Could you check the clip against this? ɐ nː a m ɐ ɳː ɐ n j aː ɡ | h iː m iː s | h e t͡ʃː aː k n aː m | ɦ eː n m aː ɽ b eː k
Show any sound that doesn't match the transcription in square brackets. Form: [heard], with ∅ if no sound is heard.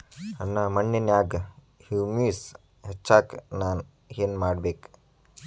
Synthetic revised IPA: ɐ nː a m ɐ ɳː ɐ n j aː ɡ | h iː m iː s | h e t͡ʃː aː k n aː [n] | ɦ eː n m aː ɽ b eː k